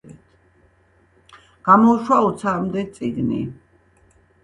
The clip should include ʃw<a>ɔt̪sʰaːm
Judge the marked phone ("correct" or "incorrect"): correct